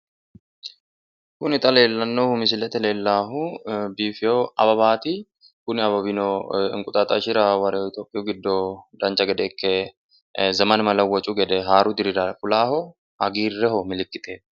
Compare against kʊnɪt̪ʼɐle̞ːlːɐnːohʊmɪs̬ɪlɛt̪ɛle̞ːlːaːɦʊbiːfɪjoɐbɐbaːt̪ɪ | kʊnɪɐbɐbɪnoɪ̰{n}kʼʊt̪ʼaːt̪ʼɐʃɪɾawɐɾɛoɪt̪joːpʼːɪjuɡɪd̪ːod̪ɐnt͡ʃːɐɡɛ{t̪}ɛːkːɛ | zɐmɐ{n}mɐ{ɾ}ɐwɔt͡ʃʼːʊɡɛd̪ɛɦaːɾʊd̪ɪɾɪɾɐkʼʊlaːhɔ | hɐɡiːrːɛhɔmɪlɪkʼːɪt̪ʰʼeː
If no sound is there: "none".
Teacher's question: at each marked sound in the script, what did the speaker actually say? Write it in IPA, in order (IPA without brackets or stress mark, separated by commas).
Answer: ŋ, d̪, n, l